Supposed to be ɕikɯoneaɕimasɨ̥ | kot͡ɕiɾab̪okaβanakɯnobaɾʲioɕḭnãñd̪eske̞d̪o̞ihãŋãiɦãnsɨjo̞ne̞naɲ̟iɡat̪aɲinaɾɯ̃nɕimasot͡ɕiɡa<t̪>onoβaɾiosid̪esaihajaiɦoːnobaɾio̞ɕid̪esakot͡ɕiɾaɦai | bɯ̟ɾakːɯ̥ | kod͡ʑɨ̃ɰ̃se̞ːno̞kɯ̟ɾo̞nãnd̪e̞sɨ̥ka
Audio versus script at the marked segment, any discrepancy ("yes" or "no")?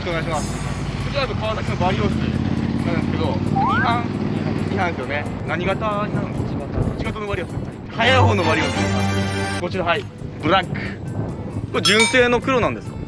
no